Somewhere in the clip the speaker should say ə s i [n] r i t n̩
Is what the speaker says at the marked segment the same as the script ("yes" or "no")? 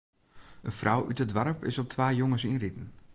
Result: yes